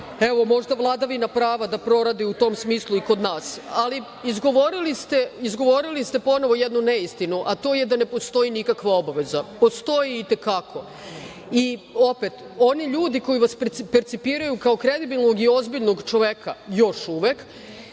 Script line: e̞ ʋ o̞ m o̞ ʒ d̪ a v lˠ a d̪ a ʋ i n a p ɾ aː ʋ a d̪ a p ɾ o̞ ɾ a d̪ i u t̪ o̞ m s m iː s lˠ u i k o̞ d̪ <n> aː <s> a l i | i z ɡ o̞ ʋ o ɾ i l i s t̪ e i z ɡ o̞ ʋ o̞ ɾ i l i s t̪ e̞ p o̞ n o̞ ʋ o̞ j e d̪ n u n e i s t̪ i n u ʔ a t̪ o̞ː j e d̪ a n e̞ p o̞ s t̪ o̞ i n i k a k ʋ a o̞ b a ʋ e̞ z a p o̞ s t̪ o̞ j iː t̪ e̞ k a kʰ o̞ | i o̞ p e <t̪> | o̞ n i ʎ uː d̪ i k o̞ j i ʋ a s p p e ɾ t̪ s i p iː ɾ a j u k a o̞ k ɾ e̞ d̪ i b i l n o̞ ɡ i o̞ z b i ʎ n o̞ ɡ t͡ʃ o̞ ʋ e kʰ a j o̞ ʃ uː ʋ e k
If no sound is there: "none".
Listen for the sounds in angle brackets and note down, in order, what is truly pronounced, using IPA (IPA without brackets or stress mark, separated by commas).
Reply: n, s, t̪